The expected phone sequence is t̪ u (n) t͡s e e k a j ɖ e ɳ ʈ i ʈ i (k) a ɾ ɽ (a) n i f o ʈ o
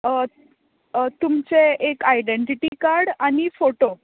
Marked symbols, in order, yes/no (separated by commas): no, yes, yes